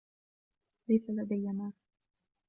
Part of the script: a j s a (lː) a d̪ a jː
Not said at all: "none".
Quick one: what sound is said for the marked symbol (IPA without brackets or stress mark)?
l